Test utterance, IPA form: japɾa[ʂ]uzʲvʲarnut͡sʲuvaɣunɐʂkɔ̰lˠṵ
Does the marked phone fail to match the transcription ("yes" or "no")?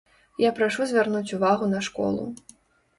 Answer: no